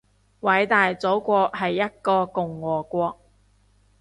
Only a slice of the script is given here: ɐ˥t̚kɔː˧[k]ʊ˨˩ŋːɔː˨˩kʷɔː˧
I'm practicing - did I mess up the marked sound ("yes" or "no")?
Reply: no